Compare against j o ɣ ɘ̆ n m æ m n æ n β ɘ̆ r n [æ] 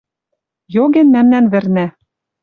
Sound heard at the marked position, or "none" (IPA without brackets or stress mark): æ